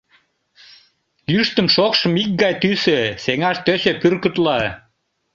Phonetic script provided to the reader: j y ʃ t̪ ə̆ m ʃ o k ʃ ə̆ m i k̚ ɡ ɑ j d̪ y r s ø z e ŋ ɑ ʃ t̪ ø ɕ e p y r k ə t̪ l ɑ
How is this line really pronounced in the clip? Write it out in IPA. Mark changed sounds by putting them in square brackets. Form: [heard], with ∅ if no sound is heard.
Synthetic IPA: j y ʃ t̪ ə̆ m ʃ o k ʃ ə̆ m i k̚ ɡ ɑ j [t̪] y [∅] s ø [s] e ŋ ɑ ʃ t̪ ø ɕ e p y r k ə t̪ l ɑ